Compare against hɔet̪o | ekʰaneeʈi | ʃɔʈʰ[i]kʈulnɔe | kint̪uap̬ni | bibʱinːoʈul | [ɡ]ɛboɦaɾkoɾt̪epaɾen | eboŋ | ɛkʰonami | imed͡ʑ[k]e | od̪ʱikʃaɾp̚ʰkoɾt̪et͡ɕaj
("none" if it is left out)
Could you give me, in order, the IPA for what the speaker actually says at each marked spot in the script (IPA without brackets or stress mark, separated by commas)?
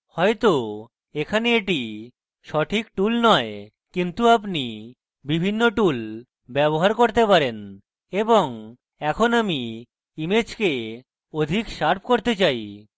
i, b, k